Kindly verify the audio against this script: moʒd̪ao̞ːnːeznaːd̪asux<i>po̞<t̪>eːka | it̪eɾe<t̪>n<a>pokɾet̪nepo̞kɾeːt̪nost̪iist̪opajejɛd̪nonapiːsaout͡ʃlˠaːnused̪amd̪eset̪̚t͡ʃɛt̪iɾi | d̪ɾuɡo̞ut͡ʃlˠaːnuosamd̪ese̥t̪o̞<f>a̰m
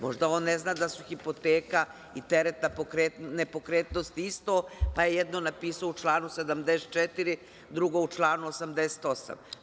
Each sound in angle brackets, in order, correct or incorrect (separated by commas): correct, correct, correct, correct, incorrect